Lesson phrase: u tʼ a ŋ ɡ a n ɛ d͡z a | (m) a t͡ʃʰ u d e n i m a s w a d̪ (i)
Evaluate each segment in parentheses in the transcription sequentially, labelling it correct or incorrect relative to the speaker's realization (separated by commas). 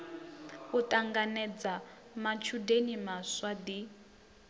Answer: correct, correct